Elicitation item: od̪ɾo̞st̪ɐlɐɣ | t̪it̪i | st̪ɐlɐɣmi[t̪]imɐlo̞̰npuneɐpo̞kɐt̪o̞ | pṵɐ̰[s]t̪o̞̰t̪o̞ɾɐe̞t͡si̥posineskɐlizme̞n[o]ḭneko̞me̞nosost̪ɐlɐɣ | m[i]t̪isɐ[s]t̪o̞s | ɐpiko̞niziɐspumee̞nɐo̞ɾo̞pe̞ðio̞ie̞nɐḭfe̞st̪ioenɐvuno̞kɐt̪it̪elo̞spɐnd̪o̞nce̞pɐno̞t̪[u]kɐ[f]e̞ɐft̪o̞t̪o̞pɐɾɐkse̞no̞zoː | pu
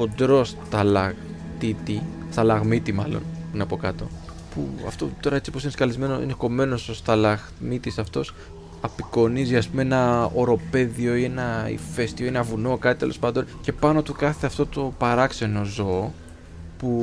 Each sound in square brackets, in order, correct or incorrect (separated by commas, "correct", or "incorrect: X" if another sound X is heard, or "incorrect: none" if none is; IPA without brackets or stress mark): correct, incorrect: f, correct, correct, incorrect: f, correct, incorrect: θ